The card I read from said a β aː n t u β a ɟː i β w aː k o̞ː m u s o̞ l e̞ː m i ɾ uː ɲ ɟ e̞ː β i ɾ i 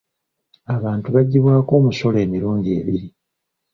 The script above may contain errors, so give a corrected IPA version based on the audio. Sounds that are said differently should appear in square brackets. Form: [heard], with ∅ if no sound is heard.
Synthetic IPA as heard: a β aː n t u β a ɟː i β w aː k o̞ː m u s o̞ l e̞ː m i ɾ uː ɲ ɟ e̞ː β i ɾ i